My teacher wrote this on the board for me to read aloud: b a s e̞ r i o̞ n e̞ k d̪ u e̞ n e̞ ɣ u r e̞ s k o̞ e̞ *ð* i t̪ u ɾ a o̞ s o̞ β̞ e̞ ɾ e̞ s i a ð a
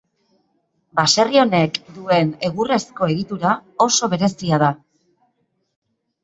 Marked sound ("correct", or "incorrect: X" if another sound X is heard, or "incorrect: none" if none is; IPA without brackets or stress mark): incorrect: ɣ